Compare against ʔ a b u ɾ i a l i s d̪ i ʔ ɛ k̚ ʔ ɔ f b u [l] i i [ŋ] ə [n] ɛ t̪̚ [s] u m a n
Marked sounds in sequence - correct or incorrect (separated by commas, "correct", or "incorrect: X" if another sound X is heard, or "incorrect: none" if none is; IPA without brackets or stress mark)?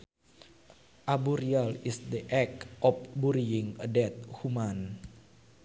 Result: incorrect: ɾ, correct, incorrect: d, incorrect: h